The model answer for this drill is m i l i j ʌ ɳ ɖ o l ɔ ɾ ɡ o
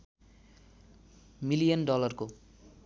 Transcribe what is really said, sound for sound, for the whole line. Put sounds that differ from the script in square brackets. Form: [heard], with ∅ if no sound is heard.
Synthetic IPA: m i l i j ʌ [n] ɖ [ɔ] l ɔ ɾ [k] o